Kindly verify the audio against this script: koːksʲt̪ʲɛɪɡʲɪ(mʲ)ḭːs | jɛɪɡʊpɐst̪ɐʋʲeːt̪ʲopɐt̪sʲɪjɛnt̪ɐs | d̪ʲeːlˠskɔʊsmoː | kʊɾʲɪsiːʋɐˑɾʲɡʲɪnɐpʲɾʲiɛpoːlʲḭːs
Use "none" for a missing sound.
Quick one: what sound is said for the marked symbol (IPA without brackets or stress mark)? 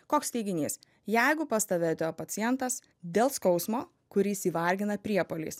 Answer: nʲ